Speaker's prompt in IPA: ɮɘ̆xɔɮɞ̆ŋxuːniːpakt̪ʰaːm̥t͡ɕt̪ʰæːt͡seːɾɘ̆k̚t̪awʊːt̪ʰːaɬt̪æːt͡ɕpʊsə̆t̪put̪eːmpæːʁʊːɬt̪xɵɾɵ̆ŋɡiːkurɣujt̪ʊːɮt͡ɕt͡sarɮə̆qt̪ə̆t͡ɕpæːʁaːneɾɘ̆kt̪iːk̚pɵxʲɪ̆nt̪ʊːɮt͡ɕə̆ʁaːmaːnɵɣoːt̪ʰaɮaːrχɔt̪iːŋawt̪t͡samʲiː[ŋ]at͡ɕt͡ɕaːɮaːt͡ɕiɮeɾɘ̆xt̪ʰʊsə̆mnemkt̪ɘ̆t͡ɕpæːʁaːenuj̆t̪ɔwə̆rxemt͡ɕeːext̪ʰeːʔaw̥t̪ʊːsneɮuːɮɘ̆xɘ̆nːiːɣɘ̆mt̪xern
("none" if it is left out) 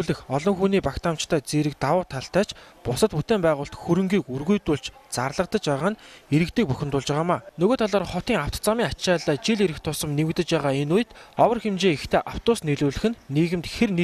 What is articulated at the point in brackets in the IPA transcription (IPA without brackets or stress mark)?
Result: ŋ